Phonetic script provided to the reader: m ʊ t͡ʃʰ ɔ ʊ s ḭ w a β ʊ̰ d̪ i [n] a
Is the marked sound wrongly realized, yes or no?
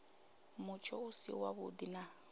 no